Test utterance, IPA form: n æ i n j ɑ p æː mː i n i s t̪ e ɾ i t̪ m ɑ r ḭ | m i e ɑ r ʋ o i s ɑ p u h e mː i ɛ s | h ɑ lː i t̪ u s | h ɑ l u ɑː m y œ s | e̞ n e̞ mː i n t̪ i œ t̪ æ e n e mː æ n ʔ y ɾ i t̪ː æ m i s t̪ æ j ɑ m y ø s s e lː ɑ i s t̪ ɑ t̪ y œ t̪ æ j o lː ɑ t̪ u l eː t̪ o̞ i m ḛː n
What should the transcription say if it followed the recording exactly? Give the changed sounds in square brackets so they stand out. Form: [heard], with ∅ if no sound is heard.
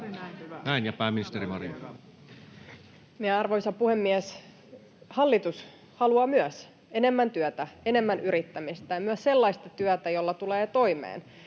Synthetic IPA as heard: n æ i n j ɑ p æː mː i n i s t̪ e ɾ i [∅] m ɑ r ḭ | m i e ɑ r ʋ o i s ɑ p u h e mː i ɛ s | h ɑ lː i t̪ u s | h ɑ l u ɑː m y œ s | e̞ n e̞ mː [æ] n t̪ [y] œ t̪ æ e n e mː æ n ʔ y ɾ i t̪ː æ m i s t̪ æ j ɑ m y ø s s e lː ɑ i s t̪ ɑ t̪ y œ t̪ æ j o lː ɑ t̪ u l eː t̪ o̞ i m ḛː n